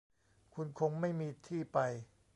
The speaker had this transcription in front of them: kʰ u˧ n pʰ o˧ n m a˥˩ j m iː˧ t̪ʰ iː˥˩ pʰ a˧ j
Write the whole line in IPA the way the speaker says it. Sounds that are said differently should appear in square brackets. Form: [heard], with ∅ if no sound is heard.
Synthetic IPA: kʰ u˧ n [kʰ] o˧ [ŋ] m a˥˩ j m iː˧ t̪ʰ iː˥˩ [p] a˧ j